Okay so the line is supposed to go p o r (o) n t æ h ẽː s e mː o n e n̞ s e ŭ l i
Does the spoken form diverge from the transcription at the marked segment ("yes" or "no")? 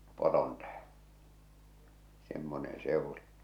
no